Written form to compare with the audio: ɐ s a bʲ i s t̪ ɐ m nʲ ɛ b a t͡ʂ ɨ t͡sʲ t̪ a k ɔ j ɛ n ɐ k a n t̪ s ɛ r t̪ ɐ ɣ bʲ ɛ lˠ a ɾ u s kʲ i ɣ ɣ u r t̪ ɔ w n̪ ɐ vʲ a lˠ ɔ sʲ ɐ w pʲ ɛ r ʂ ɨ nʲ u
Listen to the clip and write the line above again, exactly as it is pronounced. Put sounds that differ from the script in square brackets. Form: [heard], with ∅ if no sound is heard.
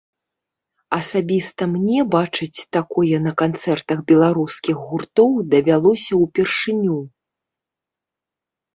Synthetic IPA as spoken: ɐ s a bʲ i s t̪ ɐ m nʲ ɛ b a t͡ʂ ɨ t͡sʲ t̪ a k ɔ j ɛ n ɐ k a n t̪ s ɛ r t̪ ɐ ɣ bʲ ɛ lˠ a ɾ u s kʲ i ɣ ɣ u r t̪ ɔ w [d̪] ɐ vʲ a lˠ ɔ sʲ ɐ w pʲ ɛ r ʂ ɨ nʲ u